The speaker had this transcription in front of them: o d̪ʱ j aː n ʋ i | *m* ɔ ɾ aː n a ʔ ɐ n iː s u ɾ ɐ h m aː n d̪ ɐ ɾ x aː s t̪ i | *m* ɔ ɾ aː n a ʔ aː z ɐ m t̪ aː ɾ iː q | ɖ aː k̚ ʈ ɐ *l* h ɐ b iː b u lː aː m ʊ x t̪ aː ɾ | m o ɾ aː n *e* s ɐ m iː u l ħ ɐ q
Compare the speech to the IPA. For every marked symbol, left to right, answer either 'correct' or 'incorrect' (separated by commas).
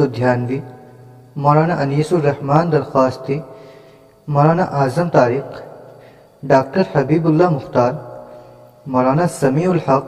correct, correct, incorrect, incorrect